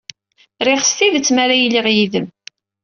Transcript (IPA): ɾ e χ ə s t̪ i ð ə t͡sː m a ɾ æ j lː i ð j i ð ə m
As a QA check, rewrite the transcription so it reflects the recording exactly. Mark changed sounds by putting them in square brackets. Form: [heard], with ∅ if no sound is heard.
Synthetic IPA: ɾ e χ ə s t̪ i ð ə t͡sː m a ɾ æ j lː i [ʁ] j i ð ə m